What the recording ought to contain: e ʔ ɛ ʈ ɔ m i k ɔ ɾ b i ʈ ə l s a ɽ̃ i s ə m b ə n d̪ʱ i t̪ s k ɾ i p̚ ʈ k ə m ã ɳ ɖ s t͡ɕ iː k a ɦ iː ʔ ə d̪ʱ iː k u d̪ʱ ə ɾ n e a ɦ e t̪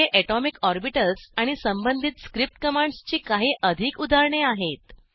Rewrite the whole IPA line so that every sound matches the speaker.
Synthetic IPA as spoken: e ʔ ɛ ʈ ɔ m i k ɔ ɾ b i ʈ ə l s a ɽ̃ i s ə m b ə n d̪ʱ i t̪ s k ɾ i p̚ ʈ k ə m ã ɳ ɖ s t͡ɕ iː k a ɦ iː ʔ ə d̪ʱ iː k u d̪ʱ a ɾ ɳ e a ɦ e t̪